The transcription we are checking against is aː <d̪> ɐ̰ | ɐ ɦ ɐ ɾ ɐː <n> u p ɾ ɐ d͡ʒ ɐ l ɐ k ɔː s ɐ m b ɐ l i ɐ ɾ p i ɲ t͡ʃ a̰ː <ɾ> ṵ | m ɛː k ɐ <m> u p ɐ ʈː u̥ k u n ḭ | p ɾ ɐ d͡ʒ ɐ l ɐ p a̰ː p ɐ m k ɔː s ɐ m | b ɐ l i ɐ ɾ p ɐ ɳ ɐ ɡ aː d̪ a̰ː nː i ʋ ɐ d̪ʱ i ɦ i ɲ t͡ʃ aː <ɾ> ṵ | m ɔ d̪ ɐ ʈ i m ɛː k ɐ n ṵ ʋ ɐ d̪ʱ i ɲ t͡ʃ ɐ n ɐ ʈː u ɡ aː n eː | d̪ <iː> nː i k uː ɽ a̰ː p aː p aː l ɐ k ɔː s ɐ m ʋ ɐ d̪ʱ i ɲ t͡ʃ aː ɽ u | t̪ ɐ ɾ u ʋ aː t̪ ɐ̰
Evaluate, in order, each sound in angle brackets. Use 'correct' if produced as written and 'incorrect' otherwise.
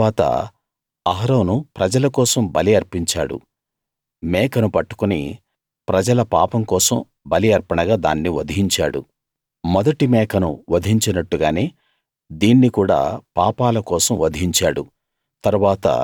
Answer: incorrect: t̪, correct, incorrect: ɽ, incorrect: n, incorrect: ɽ, correct

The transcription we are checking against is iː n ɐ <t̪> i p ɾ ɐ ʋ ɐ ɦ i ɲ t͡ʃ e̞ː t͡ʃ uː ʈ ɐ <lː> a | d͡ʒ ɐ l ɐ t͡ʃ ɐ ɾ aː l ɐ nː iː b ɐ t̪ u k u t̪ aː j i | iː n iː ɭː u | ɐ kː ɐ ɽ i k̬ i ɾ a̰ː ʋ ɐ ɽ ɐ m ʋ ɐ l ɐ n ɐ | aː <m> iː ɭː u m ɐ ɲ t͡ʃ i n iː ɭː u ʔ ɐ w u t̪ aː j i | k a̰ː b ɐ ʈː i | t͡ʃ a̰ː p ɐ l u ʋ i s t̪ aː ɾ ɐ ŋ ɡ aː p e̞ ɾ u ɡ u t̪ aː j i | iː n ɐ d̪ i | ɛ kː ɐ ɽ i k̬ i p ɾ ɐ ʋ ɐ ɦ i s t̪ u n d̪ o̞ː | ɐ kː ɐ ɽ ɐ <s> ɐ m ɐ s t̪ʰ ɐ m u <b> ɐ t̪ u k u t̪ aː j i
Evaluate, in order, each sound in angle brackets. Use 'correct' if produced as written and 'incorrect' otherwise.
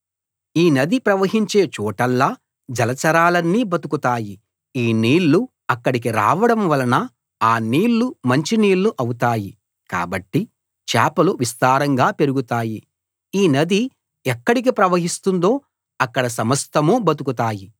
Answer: incorrect: d̪, correct, incorrect: n, correct, correct

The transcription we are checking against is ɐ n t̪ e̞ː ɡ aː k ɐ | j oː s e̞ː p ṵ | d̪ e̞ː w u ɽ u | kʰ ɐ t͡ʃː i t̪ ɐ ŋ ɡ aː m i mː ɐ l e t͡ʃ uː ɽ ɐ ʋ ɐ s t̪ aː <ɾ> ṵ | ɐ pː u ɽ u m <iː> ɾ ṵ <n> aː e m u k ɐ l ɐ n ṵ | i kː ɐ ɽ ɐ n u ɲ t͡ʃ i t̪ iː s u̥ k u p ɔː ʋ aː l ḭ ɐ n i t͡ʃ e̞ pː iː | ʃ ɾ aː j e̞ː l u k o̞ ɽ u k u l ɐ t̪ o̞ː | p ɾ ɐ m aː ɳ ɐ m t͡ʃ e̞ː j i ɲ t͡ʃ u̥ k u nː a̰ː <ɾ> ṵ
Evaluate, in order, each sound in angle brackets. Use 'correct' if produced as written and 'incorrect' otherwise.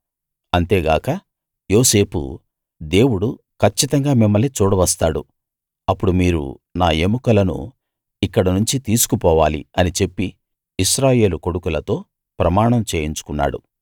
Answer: incorrect: ɽ, correct, correct, incorrect: ɽ

